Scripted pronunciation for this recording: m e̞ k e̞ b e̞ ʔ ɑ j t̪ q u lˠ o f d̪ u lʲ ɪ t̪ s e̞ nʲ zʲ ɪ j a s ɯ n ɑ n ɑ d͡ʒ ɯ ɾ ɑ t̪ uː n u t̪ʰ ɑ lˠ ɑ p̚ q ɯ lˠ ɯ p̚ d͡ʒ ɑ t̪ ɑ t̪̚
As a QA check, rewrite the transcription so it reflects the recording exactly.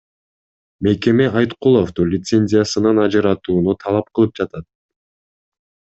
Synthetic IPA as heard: m e̞ k e̞ m e̞ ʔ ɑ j t̪ q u lˠ o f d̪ u lʲ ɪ t̪ s e̞ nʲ zʲ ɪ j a s ɯ n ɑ n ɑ d͡ʒ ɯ ɾ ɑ t̪ uː n u t̪ʰ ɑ lˠ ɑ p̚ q ɯ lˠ ɯ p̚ d͡ʒ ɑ t̪ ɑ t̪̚